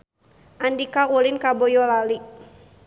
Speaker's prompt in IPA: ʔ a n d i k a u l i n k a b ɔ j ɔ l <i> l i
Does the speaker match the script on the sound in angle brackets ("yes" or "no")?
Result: no